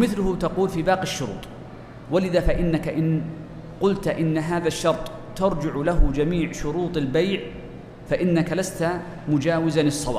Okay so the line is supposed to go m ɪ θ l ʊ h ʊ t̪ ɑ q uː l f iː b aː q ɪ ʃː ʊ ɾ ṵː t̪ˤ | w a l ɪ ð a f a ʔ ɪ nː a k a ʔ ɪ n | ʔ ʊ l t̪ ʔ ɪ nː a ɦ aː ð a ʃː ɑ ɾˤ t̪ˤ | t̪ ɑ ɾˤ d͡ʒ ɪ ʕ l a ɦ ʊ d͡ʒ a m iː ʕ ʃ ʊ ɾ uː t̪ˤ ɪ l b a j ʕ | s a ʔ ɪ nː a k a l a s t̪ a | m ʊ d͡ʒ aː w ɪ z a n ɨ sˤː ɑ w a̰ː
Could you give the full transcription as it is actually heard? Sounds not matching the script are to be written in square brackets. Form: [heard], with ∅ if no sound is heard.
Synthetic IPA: m ɪ θ l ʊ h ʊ t̪ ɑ q uː l f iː b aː q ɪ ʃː ʊ ɾ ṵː t̪ˤ | w a l ɪ ð a f a ʔ ɪ nː a k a ʔ ɪ n | [q] ʊ l t̪ ʔ ɪ nː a ɦ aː ð a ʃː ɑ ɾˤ t̪ˤ | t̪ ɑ ɾˤ d͡ʒ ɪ ʕ l a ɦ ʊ d͡ʒ a m iː ʕ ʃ ʊ ɾ uː t̪ˤ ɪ l b a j ʕ | [f] a ʔ ɪ nː a k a l a s t̪ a | m ʊ d͡ʒ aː w ɪ z a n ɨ sˤː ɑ w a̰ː